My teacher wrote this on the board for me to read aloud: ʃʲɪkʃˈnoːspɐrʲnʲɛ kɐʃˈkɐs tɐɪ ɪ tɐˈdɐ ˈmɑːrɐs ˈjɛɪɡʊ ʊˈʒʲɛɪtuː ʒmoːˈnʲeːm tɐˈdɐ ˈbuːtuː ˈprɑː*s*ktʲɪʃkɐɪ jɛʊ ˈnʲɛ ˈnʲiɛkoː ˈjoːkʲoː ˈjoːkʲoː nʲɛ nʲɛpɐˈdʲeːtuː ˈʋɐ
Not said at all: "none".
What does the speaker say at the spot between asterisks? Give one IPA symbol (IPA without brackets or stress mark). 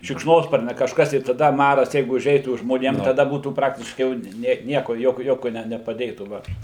none